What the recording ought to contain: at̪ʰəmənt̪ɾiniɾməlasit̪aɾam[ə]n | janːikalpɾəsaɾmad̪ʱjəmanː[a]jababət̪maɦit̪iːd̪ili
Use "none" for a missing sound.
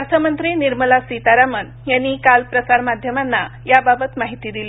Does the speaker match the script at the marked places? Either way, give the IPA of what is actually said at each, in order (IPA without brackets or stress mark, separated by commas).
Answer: ə, a